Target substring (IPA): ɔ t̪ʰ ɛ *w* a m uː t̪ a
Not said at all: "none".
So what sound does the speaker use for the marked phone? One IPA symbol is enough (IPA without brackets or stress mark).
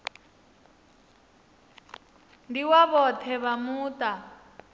β